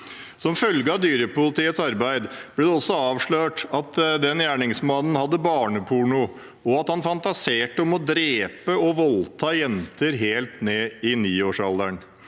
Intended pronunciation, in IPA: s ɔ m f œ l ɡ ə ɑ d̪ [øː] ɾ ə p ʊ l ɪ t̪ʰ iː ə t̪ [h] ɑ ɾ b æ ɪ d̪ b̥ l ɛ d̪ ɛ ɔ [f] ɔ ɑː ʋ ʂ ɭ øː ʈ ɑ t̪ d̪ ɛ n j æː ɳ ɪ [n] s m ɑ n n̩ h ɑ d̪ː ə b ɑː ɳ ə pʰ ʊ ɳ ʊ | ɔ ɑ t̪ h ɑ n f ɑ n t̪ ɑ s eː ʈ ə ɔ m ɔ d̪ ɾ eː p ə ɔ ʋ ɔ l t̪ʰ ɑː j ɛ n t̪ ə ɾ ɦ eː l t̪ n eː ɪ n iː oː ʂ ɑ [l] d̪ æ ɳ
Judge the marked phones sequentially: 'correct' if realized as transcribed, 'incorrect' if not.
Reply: incorrect: yː, incorrect: s, incorrect: s, incorrect: ŋ, correct

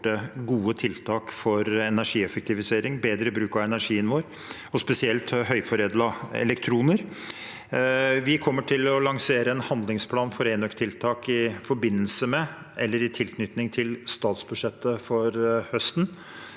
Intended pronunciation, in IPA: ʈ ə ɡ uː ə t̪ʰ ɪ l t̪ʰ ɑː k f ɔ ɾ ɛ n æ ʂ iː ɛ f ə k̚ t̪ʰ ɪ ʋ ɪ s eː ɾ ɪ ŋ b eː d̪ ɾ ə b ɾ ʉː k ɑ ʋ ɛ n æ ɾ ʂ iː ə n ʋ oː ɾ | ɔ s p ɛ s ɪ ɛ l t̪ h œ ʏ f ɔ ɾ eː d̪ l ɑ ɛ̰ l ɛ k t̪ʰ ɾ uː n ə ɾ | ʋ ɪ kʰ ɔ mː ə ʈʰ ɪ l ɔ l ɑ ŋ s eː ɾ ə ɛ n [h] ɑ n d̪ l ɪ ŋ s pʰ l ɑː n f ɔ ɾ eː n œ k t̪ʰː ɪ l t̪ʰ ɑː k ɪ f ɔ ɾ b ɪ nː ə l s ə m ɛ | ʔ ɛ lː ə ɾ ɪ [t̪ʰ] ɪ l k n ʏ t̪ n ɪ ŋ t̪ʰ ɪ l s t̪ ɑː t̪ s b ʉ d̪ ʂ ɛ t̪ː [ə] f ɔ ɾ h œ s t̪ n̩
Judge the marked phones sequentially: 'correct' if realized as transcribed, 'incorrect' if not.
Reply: correct, correct, correct

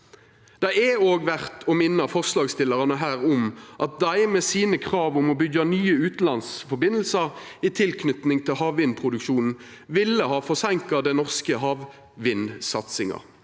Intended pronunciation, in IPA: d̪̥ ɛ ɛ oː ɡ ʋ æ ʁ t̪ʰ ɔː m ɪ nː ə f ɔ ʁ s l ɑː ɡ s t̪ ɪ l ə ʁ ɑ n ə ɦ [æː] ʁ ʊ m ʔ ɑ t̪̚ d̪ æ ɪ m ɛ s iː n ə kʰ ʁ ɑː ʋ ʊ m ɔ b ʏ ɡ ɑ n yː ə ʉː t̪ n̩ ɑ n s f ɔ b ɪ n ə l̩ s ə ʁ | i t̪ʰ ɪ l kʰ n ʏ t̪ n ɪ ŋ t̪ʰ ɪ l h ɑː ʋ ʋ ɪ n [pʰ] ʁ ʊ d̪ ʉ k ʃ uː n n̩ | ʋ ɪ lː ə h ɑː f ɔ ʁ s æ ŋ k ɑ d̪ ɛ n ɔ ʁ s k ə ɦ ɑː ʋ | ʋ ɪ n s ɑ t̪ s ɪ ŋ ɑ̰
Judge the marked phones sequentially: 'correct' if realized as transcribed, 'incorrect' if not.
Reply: correct, correct

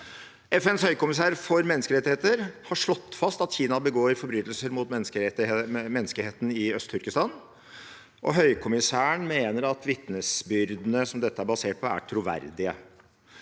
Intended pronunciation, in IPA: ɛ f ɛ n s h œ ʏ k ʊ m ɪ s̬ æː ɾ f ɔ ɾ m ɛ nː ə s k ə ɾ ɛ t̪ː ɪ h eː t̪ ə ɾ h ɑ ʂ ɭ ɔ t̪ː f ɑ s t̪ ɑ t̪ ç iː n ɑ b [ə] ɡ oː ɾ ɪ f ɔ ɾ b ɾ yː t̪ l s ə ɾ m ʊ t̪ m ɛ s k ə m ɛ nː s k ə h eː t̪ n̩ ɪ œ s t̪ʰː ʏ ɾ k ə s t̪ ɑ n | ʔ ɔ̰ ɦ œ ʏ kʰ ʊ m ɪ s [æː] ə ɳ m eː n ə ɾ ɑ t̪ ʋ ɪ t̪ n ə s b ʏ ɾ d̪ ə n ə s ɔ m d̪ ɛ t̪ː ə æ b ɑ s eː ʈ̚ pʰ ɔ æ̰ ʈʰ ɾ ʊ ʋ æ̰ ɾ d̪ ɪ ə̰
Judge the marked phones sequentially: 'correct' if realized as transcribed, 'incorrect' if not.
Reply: correct, correct

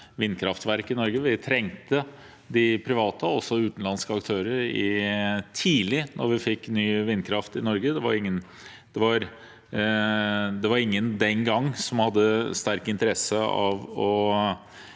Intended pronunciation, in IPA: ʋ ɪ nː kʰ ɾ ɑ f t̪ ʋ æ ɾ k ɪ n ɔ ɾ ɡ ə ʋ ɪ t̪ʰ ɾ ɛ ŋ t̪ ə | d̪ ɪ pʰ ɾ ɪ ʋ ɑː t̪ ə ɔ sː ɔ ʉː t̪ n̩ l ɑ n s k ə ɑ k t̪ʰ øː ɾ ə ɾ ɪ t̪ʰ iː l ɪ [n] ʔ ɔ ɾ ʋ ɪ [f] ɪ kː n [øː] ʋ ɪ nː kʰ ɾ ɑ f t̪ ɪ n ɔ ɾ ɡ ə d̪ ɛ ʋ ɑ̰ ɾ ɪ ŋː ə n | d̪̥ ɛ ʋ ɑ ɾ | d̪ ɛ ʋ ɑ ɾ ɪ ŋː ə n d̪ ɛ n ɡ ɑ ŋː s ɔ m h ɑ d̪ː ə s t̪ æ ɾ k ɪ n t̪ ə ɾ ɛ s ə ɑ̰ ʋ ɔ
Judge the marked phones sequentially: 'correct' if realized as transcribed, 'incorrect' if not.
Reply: correct, correct, incorrect: yː

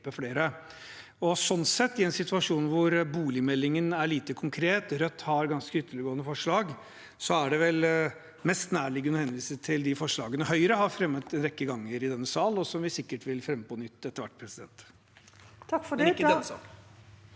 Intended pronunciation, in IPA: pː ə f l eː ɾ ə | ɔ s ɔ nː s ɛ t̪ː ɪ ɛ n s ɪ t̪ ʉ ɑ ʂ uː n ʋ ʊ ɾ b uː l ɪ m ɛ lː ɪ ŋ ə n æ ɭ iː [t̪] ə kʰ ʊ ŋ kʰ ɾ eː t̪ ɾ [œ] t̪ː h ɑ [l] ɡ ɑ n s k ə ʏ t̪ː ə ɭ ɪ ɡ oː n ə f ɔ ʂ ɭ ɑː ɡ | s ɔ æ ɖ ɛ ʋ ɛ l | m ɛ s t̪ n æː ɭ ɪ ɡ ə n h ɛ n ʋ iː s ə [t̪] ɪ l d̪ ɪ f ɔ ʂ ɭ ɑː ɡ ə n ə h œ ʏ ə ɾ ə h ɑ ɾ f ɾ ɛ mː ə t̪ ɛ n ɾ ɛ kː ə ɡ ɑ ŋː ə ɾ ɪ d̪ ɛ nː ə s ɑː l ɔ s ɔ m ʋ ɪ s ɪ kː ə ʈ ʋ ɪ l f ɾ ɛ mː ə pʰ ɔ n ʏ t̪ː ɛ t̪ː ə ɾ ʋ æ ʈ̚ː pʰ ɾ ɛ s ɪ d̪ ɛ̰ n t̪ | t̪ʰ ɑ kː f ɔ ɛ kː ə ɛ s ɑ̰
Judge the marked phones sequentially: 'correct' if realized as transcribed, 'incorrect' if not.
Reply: correct, correct, incorrect: ɾ, incorrect: t̪ʰ

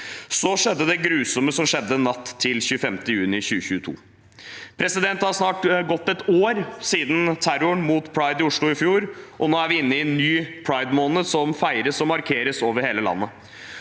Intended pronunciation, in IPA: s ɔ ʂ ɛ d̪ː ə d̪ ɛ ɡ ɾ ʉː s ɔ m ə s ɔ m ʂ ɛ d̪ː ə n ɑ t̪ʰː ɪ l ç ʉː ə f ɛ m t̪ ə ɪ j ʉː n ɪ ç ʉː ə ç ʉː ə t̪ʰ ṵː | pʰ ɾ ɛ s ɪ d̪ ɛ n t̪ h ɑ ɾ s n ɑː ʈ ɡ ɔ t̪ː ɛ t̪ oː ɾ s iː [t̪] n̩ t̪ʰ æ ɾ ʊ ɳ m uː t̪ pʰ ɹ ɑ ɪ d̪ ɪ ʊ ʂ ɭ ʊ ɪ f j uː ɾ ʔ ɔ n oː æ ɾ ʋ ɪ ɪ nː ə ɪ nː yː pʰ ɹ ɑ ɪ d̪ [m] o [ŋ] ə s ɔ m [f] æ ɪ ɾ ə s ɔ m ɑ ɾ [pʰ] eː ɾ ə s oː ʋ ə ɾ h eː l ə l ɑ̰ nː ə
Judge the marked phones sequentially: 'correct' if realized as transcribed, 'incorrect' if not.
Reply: incorrect: d̪, correct, incorrect: n, correct, incorrect: kʰ

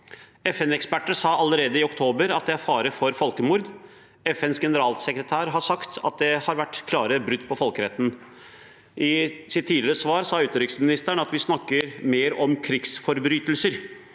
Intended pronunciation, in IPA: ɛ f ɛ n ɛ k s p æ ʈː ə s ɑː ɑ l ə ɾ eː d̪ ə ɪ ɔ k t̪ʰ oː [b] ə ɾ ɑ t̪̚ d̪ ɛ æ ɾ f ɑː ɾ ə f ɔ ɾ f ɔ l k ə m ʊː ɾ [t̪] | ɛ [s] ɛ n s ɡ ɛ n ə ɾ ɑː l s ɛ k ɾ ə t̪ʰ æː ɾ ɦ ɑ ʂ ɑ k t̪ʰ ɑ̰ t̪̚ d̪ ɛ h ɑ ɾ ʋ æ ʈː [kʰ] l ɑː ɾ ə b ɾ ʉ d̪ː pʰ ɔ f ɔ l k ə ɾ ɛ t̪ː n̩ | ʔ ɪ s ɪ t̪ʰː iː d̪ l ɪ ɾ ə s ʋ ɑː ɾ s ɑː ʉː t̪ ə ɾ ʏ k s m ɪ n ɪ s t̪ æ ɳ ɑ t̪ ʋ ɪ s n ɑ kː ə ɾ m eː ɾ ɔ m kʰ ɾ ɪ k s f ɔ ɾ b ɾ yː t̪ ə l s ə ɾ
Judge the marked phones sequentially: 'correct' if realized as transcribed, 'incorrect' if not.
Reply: correct, incorrect: d̪, incorrect: f, correct

